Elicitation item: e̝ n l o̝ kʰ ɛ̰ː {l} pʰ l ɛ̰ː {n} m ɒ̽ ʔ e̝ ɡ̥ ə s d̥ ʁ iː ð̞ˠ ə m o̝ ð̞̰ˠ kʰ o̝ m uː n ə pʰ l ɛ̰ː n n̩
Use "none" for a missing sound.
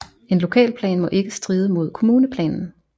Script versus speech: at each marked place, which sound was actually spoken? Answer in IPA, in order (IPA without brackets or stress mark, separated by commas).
l, n